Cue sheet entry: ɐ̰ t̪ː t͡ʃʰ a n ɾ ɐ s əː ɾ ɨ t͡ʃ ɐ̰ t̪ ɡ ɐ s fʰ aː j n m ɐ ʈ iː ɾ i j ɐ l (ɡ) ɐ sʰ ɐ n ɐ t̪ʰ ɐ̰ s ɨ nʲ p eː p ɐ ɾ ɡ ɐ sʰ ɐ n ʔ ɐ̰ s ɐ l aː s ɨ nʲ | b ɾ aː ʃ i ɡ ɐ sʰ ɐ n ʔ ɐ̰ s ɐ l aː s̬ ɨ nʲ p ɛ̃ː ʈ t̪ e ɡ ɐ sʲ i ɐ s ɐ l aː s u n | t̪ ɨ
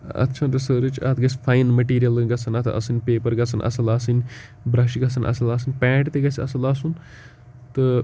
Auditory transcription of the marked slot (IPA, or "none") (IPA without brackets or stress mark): ɡ